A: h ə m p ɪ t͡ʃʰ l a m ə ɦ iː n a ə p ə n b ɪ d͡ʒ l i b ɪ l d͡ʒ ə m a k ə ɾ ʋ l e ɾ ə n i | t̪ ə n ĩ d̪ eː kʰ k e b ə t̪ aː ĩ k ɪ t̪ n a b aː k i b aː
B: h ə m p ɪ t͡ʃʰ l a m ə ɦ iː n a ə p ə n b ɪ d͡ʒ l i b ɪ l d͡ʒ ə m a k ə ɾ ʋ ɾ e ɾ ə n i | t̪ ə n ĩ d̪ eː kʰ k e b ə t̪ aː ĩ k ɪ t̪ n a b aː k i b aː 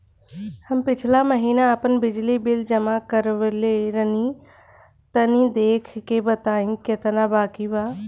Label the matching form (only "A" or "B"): A